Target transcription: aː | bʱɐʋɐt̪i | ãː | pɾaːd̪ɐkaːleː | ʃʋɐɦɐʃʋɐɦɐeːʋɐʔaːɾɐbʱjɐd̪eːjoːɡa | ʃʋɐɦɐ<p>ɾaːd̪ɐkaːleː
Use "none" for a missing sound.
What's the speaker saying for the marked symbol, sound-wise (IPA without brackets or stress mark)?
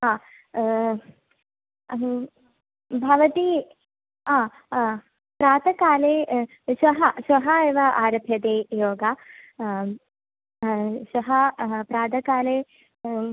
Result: p